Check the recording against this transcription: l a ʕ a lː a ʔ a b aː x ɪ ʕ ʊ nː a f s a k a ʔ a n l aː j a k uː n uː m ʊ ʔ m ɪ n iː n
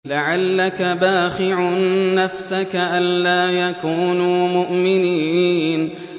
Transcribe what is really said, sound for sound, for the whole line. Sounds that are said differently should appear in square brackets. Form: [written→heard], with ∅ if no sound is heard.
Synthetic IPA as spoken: l a ʕ a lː a [ʔ→k] a b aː x ɪ ʕ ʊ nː a f s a k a ʔ a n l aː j a k uː n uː m ʊ ʔ m ɪ n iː n